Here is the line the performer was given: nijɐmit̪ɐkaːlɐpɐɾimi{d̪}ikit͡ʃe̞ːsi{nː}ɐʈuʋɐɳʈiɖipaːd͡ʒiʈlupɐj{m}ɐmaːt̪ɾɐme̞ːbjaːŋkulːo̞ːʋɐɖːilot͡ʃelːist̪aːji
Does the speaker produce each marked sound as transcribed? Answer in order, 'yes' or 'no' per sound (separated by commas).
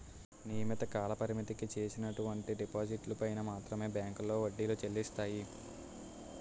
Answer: no, no, no